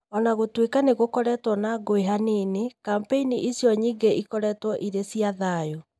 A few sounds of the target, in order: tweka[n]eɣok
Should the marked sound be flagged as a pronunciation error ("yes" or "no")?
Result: no